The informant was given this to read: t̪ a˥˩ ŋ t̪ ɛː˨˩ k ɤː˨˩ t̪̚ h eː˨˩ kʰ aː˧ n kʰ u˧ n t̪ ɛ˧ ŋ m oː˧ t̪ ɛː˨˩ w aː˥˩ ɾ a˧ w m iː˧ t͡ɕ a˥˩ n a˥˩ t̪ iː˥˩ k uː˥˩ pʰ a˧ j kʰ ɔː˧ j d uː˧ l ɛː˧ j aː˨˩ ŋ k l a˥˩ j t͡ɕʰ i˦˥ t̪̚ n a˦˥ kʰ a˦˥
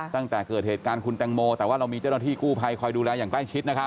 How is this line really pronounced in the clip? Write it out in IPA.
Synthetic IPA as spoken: t̪ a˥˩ ŋ t̪ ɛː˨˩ k ɤː˨˩ t̪̚ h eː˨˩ k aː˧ n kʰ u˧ n t̪ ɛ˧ ŋ m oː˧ t̪ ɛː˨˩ w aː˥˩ ɾ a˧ w m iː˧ t͡ɕ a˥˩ n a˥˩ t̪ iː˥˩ k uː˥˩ pʰ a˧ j kʰ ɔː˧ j d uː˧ l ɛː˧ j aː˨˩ ŋ k l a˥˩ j t͡ɕʰ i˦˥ t̪̚ n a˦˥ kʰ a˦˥